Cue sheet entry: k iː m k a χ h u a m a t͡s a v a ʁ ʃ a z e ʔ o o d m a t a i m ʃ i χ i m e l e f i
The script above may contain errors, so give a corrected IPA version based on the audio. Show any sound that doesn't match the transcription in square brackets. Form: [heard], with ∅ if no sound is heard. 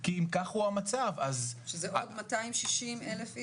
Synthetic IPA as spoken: k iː m k a χ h u a m a t͡s a v a [z] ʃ [e] z e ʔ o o d m a t a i m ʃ i [ʃ] i m e l e f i